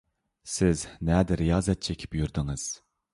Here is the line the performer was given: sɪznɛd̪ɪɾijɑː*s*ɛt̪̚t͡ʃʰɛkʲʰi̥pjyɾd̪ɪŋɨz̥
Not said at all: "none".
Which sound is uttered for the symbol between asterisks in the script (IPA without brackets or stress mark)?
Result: z